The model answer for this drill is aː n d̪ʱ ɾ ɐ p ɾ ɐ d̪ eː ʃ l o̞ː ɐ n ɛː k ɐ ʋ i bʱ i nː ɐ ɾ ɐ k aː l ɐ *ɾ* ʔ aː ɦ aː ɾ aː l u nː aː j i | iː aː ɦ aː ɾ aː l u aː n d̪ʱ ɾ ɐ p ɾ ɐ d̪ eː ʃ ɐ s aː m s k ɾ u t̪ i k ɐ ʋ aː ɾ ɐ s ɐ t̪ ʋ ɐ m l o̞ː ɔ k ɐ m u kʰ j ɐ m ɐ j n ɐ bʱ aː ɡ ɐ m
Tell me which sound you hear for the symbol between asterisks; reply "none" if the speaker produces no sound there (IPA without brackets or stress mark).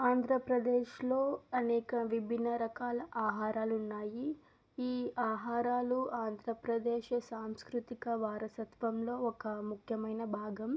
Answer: none